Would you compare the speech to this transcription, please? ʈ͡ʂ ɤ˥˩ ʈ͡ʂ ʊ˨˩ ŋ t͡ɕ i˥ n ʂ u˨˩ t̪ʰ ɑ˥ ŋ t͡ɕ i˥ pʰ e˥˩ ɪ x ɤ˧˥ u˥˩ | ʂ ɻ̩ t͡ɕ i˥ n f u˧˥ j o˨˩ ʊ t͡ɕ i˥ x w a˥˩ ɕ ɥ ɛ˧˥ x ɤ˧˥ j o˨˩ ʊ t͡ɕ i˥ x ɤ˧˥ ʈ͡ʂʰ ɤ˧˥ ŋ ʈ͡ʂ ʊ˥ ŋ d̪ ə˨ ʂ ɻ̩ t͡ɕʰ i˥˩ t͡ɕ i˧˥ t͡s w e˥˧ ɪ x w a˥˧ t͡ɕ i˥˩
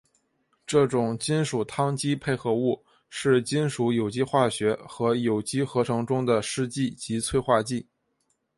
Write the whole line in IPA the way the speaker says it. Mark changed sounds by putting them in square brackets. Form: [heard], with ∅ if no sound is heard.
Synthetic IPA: ʈ͡ʂ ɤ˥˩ ʈ͡ʂ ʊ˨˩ ŋ t͡ɕ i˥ n ʂ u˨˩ t̪ʰ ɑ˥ ŋ t͡ɕ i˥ pʰ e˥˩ ɪ x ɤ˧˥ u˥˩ | ʂ ɻ̩ t͡ɕ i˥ n [ʂ] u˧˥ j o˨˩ ʊ t͡ɕ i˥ x w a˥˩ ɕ ɥ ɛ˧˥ x ɤ˧˥ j o˨˩ ʊ t͡ɕ i˥ x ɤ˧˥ ʈ͡ʂʰ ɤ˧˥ ŋ ʈ͡ʂ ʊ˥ ŋ d̪ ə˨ ʂ ɻ̩ [t͡ɕ] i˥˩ t͡ɕ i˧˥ [t͡sʰ] w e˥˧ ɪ x w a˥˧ t͡ɕ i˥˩